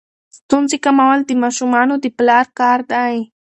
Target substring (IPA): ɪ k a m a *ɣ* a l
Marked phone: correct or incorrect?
incorrect